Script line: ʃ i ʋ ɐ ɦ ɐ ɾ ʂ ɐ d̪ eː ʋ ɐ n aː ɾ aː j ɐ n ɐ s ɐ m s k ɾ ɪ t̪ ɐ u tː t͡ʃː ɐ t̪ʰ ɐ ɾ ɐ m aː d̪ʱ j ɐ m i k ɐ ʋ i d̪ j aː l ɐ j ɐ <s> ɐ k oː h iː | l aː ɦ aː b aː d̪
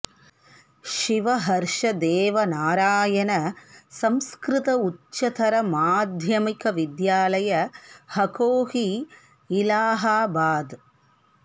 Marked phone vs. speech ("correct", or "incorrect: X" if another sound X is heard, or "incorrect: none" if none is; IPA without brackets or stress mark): incorrect: h